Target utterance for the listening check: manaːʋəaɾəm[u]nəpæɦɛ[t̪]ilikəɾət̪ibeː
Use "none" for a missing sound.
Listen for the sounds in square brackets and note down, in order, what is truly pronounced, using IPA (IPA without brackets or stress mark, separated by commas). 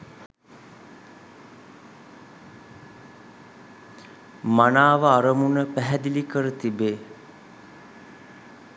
u, d̪